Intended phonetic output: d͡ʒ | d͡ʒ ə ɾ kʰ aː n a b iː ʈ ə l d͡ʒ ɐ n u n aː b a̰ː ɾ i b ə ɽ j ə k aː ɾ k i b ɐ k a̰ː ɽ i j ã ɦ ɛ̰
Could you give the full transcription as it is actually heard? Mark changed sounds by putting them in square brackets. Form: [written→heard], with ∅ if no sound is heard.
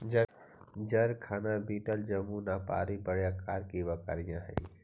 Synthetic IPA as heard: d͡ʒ | d͡ʒ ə ɾ kʰ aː n a b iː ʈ ə l d͡ʒ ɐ [n→m] u n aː [b→p] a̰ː ɾ i b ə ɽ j [ə→a] k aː ɾ k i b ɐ k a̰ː [ɽ→ɾ] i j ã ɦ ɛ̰